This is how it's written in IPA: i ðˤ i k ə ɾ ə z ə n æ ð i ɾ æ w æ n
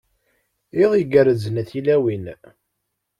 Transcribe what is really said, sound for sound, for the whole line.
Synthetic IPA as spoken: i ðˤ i ɡ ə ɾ ə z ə n æ θ i l æ w i n